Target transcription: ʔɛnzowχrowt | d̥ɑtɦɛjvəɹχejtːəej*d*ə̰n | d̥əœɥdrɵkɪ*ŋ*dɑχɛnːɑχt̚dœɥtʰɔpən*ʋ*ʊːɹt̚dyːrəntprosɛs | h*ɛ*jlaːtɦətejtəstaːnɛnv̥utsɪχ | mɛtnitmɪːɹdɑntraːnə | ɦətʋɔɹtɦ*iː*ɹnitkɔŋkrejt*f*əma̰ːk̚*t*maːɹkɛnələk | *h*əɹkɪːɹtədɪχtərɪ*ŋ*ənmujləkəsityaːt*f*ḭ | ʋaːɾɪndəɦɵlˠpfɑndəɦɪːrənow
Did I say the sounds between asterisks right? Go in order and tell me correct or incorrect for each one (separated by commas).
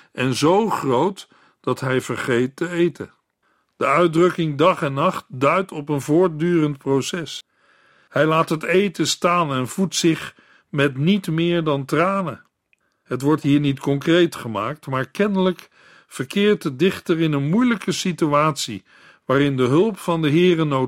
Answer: incorrect, correct, incorrect, correct, correct, incorrect, correct, incorrect, incorrect, incorrect